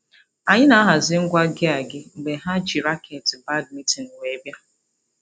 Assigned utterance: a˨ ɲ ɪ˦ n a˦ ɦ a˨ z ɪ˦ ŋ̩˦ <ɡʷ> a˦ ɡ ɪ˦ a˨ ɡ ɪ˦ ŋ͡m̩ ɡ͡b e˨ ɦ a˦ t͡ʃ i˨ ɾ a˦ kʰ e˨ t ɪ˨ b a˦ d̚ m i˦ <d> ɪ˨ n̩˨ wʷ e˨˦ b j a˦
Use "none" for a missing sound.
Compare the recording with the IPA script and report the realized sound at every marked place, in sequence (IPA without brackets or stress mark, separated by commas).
ɡʷ, t